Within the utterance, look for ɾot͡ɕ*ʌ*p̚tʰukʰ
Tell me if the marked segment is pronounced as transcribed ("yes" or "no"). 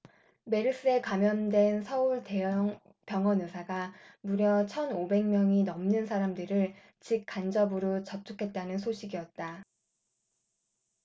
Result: yes